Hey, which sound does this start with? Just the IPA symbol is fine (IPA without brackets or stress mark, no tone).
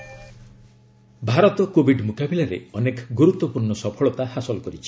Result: bʱ